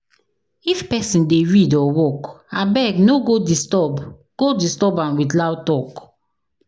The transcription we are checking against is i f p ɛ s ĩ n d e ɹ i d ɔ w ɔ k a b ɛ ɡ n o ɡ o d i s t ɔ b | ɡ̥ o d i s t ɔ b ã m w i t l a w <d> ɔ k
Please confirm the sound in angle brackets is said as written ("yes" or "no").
no